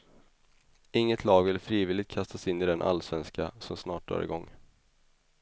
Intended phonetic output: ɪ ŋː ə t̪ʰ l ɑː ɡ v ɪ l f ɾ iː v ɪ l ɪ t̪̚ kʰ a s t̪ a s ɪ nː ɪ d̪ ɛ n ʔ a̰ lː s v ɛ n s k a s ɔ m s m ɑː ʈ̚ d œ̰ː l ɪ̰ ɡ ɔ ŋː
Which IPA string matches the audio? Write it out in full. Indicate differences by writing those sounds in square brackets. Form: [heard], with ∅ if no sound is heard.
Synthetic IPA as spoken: ɪ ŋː ə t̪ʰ l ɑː ɡ v ɪ l f ɾ iː v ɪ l ɪ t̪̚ kʰ a s t̪ a s ɪ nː ɪ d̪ ɛ n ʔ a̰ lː s v ɛ n s k a s ɔ m s [n] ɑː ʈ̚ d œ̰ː [ɾ] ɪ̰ ɡ ɔ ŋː